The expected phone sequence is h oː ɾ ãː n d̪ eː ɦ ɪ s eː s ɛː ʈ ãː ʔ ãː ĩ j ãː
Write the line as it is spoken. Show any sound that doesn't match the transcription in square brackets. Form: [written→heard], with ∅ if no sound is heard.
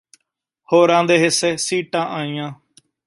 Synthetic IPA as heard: h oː ɾ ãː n d̪ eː ɦ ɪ s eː s [ɛː→iː] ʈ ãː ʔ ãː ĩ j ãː